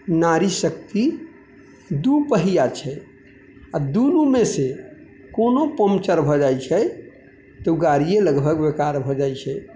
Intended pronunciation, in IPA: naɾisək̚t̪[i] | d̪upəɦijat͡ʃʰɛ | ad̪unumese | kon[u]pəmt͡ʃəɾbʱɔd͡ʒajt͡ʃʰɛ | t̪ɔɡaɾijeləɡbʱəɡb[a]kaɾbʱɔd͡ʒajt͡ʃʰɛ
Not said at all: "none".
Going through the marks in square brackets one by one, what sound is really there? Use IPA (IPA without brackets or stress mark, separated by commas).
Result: i, o, e